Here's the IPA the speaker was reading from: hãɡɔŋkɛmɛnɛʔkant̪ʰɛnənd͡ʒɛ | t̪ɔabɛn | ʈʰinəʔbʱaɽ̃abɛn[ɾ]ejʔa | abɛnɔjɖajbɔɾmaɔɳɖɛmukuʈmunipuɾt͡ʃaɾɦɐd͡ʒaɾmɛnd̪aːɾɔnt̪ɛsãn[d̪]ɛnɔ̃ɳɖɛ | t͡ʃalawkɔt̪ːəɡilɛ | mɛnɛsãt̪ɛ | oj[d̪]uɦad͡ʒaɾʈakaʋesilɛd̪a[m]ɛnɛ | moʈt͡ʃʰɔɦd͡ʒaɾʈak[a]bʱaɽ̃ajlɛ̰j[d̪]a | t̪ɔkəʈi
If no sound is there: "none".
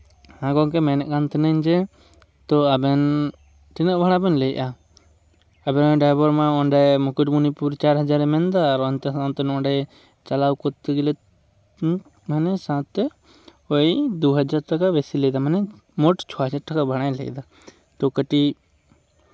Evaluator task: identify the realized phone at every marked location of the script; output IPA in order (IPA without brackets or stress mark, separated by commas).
l, t̪, d̪, m, a, d̪